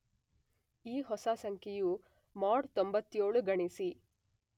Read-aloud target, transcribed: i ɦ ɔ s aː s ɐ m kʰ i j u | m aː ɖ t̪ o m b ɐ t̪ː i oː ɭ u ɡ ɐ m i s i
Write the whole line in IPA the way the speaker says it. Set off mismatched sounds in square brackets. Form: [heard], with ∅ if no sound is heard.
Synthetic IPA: [iː] ɦ ɔ s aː s ɐ [ŋ] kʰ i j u | m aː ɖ t̪ o m b ɐ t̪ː [j] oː ɭ u ɡ ɐ [ɳ] i s i